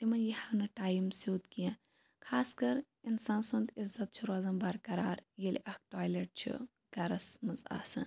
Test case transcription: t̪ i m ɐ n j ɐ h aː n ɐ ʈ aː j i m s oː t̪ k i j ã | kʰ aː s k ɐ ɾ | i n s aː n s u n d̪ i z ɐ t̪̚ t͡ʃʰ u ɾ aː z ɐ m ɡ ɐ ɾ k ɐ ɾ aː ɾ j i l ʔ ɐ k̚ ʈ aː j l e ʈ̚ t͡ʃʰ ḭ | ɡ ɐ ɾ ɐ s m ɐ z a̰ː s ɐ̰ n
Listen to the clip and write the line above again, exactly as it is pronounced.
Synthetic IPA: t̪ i m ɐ n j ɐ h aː n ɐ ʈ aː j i m s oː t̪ k i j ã | kʰ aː s k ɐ ɾ | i n s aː n s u n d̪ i z ɐ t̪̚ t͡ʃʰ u ɾ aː z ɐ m b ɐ ɾ k ɐ ɾ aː ɾ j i l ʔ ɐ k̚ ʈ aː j l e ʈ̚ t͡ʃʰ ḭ | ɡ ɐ ɾ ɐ s m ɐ z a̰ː s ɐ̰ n